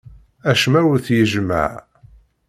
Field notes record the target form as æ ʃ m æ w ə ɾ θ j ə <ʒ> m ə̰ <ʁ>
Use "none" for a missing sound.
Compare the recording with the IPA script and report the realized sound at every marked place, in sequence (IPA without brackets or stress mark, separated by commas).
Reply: ʒ, ʕ